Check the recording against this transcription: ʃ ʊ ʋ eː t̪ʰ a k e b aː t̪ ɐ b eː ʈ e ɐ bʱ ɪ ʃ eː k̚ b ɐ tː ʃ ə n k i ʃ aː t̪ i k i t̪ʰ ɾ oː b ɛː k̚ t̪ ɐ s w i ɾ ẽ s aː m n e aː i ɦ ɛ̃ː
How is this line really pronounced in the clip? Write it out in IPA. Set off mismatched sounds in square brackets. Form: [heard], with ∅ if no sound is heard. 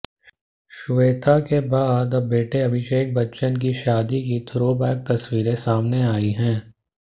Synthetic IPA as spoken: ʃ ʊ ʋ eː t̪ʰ a k e b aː [d̪] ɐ b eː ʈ e ɐ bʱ ɪ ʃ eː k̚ b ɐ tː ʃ ə n k i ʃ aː [d̪] i k i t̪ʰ ɾ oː b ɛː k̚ t̪ ɐ s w [iː] ɾ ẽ s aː m n e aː i ɦ ɛ̃ː